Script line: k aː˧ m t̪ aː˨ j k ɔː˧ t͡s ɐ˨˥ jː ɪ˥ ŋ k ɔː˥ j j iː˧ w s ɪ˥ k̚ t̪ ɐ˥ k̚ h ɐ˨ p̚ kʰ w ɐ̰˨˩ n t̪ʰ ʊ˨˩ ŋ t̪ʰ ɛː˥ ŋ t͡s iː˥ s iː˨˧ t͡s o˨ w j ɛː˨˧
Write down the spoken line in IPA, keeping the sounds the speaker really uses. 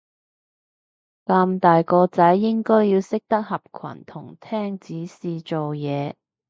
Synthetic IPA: k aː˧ m t̪ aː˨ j k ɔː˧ t͡s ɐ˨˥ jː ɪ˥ ŋ k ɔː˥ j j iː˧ w s ɪ˥ k̚ t̪ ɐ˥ k̚ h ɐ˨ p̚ kʰ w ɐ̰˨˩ n t̪ʰ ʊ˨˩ ŋ t̪ʰ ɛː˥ ŋ t͡s iː˨˥ s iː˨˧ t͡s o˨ w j ɛː˨˧